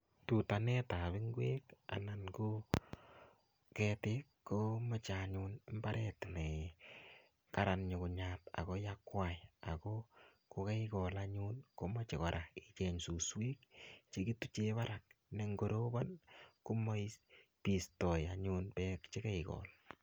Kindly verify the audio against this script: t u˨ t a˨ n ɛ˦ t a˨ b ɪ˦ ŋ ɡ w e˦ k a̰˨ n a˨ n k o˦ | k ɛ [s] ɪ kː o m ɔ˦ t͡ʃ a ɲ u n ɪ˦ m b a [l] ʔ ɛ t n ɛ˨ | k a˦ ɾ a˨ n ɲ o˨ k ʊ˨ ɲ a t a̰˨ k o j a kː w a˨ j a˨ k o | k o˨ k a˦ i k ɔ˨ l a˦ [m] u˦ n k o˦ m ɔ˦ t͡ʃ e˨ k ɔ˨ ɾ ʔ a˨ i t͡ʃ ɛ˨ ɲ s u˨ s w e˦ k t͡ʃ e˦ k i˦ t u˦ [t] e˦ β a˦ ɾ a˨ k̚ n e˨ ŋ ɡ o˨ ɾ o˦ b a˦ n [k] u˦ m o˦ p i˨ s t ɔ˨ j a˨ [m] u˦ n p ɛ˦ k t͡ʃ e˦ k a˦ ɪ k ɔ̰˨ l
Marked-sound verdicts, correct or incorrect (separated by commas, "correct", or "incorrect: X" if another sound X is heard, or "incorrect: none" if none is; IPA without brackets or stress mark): incorrect: t, incorrect: ɾ, incorrect: ɲ, incorrect: t͡ʃ, correct, incorrect: ɲ